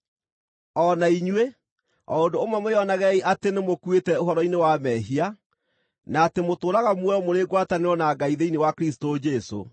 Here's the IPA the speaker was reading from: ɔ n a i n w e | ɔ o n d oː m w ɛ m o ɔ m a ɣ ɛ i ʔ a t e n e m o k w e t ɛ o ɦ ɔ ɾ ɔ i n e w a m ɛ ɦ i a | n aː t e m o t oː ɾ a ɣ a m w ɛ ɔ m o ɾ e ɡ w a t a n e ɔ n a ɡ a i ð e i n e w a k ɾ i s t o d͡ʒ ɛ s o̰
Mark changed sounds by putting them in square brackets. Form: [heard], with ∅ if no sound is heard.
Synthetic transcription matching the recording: ɔ n a i [ɲ] w e | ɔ o n d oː m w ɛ m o ɔ [n] a ɣ ɛ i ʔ a t e n e m o k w e t ɛ o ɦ ɔ ɾ ɔ i n e w a m ɛ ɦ i a | n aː t e m o t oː ɾ a ɣ a m w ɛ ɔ m o ɾ e ɡ w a t a n e ɔ n a ɡ a i ð e i n e w a k ɾ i s t o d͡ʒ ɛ s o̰